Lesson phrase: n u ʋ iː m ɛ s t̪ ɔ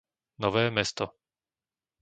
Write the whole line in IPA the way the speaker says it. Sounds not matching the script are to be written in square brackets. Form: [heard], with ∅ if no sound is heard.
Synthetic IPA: n [ɔ] ʋ [ɛː] m ɛ s t̪ ɔ

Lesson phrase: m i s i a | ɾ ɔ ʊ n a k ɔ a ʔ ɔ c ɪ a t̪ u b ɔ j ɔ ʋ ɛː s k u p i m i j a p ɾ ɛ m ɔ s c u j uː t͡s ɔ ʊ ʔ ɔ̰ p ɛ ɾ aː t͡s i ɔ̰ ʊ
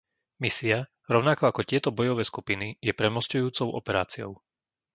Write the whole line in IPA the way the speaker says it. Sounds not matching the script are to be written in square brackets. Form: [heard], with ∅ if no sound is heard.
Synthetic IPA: m i s i a | ɾ ɔ ʊ n a k ɔ a [k] ɔ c ɪ [ɛ] t̪ [ɔ] b ɔ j ɔ ʋ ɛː s k u p i [n] i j [ɛ] p ɾ ɛ m ɔ s c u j uː t͡s ɔ ʊ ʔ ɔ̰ p ɛ ɾ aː t͡s i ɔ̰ ʊ

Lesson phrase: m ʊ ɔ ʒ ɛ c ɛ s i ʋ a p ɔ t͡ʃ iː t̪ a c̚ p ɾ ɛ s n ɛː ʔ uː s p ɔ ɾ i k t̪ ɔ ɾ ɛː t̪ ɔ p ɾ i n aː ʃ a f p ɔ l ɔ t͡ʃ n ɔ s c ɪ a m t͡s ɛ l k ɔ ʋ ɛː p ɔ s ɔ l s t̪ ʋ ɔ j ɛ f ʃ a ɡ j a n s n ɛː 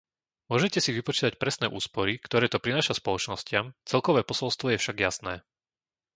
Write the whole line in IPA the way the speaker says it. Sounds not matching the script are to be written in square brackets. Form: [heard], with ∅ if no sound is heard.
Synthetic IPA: m ʊ ɔ ʒ ɛ c ɛ s i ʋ [i] p ɔ t͡ʃ iː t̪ a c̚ p ɾ ɛ s n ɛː ʔ uː s p ɔ ɾ i k t̪ ɔ ɾ ɛː t̪ ɔ p ɾ i n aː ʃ a [s] p ɔ l ɔ t͡ʃ n ɔ s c ɪ a m t͡s ɛ l k ɔ ʋ ɛː p ɔ s ɔ l s t̪ ʋ ɔ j ɛ f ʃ a ɡ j a [∅] s n ɛː

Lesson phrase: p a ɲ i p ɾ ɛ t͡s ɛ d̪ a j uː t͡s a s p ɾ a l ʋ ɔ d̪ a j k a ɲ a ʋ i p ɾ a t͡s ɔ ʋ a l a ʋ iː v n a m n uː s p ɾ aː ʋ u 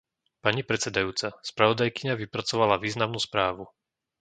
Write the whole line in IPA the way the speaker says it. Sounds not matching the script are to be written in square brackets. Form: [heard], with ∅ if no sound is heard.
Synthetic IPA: p a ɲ i p ɾ ɛ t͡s ɛ d̪ a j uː t͡s a s p ɾ a [∅] ʋ ɔ d̪ a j k [i] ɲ a ʋ i p ɾ a t͡s ɔ ʋ a l a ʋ iː [z] n a m n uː s p ɾ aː ʋ u

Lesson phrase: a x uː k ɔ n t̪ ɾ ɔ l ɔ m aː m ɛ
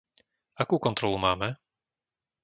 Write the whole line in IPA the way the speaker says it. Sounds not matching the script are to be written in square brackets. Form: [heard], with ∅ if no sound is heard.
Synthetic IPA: a [k] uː k ɔ n t̪ ɾ ɔ l [u] m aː m ɛ

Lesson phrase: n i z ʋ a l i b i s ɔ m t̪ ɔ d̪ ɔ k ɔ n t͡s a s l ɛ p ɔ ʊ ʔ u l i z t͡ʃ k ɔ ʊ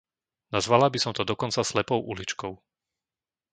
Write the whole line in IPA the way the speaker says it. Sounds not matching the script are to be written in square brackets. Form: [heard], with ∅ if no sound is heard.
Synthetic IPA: n [a] z ʋ a l [a] b i s ɔ m t̪ ɔ d̪ ɔ k ɔ n t͡s a s l ɛ p ɔ ʊ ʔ u l i [∅] t͡ʃ k ɔ ʊ

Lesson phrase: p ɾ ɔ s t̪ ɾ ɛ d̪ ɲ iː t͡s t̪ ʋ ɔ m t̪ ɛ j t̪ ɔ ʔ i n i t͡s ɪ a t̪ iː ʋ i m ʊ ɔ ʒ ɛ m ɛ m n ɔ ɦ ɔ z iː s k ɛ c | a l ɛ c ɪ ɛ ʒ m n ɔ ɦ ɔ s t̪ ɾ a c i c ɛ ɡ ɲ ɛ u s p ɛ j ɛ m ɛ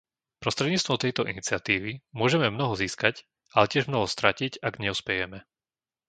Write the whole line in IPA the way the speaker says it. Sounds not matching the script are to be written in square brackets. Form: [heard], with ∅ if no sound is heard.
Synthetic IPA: p ɾ ɔ s t̪ ɾ ɛ d̪ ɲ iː t͡s t̪ ʋ ɔ m t̪ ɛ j t̪ ɔ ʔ i n i t͡s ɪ a t̪ iː ʋ i m ʊ ɔ ʒ ɛ m ɛ m n ɔ ɦ ɔ z iː s k [a] c | a l ɛ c ɪ ɛ ʒ m n ɔ ɦ ɔ s t̪ ɾ a c i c [a] ɡ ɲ ɛ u s p ɛ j ɛ m ɛ

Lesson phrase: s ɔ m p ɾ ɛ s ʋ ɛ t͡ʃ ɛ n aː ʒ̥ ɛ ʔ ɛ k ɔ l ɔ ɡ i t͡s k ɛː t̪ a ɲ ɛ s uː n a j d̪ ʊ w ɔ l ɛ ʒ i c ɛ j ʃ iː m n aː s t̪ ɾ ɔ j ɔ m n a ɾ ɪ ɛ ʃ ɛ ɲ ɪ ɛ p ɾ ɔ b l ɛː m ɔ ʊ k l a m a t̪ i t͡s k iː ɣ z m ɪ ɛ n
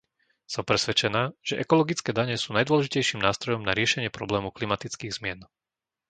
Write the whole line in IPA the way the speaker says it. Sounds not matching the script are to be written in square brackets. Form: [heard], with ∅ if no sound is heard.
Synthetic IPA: s ɔ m p ɾ ɛ s ʋ ɛ t͡ʃ ɛ n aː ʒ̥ ɛ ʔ ɛ k ɔ l ɔ ɡ i t͡s k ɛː [d̪] a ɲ ɛ s uː n a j d̪ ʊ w ɔ l ɛ ʒ i c ɛ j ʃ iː m n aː s t̪ ɾ ɔ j ɔ m n a ɾ ɪ ɛ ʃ ɛ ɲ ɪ ɛ p ɾ ɔ b l ɛː m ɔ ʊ k l [i] m a t̪ i t͡s k iː ɣ z m ɪ ɛ n

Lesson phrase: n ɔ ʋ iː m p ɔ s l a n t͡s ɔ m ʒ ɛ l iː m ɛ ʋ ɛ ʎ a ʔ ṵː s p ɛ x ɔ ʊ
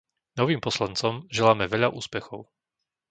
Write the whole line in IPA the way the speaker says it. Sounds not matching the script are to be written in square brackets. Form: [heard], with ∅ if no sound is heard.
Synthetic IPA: n ɔ ʋ iː m p ɔ s l a n t͡s ɔ m ʒ ɛ l [aː] m ɛ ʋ ɛ ʎ a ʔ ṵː s p ɛ x ɔ ʊ

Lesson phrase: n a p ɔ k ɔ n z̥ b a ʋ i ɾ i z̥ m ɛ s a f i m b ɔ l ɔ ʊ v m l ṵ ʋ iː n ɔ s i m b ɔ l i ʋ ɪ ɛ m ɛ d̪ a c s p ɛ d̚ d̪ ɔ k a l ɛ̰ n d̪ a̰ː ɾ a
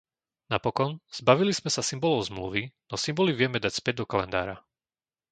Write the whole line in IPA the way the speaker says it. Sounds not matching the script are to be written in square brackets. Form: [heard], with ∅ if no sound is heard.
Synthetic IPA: n a p ɔ k ɔ n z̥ b a ʋ i [l] i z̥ m ɛ s a [s] i m b ɔ l ɔ ʊ [z] m l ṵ ʋ [i] n ɔ s i m b ɔ l i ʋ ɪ ɛ m ɛ d̪ a c s p ɛ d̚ d̪ ɔ k a l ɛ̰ n d̪ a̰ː ɾ a

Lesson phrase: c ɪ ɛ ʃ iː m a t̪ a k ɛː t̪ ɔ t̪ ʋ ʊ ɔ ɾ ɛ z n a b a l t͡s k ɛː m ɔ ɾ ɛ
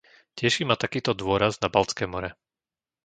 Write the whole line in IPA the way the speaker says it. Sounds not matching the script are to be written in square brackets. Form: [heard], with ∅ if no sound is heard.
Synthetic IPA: c ɪ ɛ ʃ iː m a t̪ a k [iː] t̪ ɔ [d̪] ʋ ʊ ɔ ɾ [a] z n a b a l t͡s k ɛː m ɔ ɾ ɛ

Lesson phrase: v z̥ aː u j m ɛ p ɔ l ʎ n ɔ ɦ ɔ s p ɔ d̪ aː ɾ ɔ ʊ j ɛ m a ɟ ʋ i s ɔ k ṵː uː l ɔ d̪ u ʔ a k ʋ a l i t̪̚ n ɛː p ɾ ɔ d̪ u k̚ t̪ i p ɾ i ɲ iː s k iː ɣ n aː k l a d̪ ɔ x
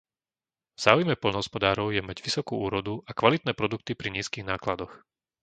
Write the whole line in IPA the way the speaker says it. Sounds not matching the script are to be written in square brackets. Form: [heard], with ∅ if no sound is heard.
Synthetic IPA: v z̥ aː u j m ɛ p ɔ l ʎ n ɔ ɦ ɔ s p ɔ d̪ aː ɾ ɔ ʊ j ɛ m a ɟ ʋ i s ɔ k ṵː uː [ɾ] ɔ d̪ u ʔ a k ʋ a l i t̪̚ n ɛː p ɾ ɔ d̪ u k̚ t̪ i p ɾ i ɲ iː s k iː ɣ n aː k l a d̪ ɔ x

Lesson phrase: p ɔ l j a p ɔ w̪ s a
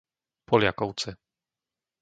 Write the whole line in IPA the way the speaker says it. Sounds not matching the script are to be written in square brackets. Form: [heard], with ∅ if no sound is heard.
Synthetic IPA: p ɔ l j a [k] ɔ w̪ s [ɛ]

